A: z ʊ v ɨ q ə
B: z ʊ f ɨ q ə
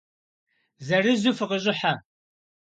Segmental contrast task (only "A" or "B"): B